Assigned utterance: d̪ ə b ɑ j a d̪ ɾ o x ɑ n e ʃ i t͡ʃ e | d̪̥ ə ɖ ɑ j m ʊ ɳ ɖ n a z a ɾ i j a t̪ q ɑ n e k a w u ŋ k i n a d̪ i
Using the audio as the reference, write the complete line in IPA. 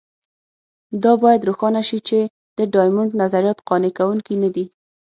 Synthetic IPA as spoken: d̪ ɑ b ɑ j a d̪ ɾ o x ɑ n a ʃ i t͡ʃ e | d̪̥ ə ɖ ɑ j m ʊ ɳ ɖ n a z a ɾ i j ɑ t̪ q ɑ n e k a w u ŋ k i n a d̪ i